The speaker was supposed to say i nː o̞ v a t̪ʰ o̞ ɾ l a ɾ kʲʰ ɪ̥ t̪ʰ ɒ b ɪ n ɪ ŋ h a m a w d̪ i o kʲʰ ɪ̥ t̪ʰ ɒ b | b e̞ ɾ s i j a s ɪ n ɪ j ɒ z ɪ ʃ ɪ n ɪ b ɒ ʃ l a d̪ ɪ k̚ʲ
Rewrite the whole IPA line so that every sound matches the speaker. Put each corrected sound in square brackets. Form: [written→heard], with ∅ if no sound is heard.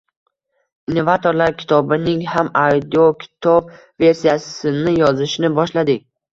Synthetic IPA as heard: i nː o̞ v a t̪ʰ o̞ ɾ l a ɾ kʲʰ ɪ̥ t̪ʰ ɒ b ɪ n ɪ ŋ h a m a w d̪ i o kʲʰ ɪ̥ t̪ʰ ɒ b | [b→v] e̞ ɾ s i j a s ɪ n ɪ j ɒ z ɪ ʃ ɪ n ɪ b ɒ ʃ l a d̪ ɪ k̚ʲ